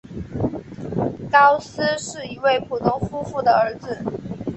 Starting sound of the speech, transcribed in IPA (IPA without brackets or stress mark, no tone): k